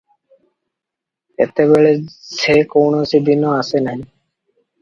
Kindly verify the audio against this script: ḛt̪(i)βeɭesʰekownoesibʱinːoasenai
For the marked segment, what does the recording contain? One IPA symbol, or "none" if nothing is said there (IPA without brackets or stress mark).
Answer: e